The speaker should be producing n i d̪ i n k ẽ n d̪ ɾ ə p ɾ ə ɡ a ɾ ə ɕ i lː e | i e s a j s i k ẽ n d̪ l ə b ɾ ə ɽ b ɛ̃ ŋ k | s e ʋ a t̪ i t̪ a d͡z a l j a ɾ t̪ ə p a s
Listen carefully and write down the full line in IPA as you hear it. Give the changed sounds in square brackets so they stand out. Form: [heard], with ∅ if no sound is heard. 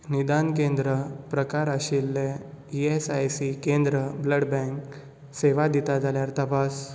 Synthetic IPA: n i d̪ [a] n k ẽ n d̪ ɾ ə p ɾ ə [k] a ɾ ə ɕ i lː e | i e s a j s i k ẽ n d̪ [ɾ] ə b [l] ə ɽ b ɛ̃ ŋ k | s e ʋ a [d̪] i t̪ a d͡z a l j a ɾ t̪ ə p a s